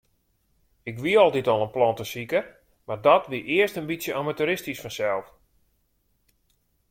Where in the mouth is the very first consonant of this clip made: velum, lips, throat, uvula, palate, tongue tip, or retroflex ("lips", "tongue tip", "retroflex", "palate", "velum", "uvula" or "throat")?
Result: velum